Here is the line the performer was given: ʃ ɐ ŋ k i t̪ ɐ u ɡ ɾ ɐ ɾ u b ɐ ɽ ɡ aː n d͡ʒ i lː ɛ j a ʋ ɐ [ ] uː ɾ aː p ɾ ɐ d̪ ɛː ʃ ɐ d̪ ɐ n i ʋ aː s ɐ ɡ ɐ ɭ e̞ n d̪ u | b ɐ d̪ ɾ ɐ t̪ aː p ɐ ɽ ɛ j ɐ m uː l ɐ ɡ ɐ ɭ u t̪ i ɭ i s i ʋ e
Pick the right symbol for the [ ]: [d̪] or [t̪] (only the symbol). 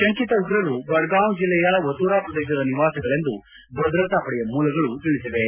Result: t̪